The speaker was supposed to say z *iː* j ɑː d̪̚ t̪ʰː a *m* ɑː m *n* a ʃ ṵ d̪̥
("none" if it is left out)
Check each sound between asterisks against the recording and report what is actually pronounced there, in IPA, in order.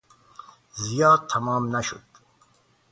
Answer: i, m, n

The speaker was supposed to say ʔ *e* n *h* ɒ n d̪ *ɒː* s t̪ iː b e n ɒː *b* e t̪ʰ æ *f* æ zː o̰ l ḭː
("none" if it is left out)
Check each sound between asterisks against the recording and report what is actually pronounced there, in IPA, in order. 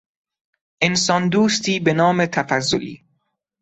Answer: e, s, uː, m, f

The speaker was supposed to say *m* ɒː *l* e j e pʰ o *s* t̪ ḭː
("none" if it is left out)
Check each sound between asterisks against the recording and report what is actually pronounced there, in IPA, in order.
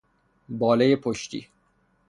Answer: b, l, ʃ

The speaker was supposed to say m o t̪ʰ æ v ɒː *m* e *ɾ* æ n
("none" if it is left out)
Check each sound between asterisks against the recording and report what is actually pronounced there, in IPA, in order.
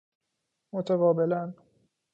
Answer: b, l

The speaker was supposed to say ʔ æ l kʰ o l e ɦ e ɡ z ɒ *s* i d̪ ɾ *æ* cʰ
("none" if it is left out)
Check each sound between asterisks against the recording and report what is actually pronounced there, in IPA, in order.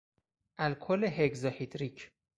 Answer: h, i

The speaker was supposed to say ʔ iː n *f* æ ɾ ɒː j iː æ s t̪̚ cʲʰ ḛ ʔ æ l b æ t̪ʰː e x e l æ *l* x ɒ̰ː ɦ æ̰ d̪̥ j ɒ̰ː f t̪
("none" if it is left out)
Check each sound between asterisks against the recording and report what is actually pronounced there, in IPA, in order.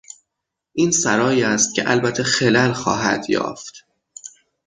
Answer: s, l

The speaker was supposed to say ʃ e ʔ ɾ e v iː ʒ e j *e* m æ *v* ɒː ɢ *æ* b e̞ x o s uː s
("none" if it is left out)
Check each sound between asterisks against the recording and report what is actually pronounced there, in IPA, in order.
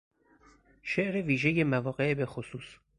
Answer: e, v, e

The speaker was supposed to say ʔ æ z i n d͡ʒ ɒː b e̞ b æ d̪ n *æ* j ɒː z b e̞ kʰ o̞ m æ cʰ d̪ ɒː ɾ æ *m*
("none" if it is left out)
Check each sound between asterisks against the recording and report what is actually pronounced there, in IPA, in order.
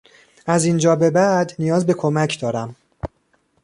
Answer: i, m

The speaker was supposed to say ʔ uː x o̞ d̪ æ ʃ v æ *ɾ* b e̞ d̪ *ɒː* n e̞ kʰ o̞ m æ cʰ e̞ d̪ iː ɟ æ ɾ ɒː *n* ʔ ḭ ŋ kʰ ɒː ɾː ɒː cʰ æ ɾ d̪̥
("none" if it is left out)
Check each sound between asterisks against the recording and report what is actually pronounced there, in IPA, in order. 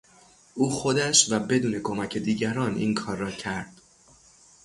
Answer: none, uː, n

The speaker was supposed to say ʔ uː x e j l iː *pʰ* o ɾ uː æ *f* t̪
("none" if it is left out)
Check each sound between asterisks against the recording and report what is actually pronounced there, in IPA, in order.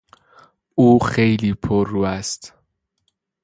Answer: pʰ, s

